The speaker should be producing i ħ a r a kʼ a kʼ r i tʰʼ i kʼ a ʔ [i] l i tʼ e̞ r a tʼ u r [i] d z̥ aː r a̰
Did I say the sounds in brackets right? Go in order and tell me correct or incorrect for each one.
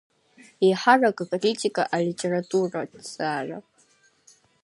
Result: incorrect: a, incorrect: a

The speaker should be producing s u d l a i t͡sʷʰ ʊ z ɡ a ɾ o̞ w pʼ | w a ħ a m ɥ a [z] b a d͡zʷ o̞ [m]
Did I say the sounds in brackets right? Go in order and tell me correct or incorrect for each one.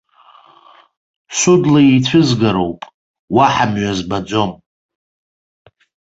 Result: correct, correct

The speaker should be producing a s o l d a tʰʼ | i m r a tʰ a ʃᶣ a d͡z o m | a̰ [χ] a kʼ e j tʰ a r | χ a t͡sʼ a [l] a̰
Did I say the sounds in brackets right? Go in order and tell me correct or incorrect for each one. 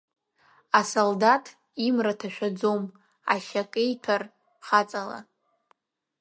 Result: incorrect: ʃ, correct

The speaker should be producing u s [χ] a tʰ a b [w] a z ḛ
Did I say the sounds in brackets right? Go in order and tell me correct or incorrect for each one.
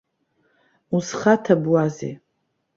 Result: correct, correct

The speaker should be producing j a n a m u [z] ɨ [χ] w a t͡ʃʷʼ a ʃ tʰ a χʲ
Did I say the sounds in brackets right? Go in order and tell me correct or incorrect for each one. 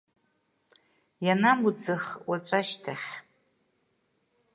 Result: incorrect: d͡z, correct

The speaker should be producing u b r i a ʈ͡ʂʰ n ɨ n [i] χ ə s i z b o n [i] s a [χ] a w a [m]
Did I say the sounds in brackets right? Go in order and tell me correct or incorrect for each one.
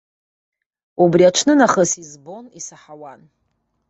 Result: incorrect: a, correct, incorrect: ħ, incorrect: n

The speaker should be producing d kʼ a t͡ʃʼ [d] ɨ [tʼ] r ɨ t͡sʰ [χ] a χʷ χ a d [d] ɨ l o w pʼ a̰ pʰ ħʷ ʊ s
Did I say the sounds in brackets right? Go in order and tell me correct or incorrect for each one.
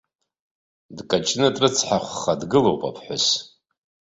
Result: incorrect: n, correct, incorrect: ħ, incorrect: ɡ

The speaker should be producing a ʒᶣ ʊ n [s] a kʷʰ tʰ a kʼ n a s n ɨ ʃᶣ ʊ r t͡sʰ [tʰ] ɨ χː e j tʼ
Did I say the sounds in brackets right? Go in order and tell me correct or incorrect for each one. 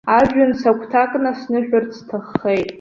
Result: correct, correct

